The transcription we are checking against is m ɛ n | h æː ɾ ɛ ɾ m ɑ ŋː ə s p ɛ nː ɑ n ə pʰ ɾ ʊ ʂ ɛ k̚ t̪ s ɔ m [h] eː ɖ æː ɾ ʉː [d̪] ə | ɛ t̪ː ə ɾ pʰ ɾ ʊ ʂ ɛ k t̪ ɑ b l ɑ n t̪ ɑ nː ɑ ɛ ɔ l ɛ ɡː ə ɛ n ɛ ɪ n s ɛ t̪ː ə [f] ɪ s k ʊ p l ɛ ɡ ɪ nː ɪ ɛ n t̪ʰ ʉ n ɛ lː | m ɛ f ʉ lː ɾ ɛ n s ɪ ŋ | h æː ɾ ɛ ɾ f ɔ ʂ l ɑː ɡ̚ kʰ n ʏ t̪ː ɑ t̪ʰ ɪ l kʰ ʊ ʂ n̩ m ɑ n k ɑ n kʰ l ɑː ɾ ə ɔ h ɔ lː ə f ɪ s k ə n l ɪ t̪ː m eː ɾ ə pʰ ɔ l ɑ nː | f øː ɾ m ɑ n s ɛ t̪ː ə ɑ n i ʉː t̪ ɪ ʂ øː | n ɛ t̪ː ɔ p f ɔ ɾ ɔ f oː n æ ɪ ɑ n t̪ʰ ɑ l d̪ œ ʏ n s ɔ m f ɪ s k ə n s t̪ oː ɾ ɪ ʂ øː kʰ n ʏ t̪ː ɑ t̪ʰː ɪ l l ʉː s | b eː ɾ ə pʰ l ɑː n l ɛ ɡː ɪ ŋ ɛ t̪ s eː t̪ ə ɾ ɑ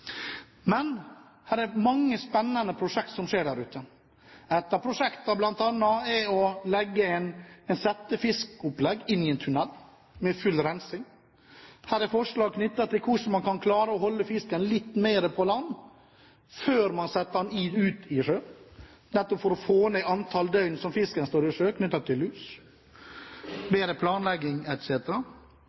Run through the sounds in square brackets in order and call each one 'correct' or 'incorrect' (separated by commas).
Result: incorrect, incorrect, correct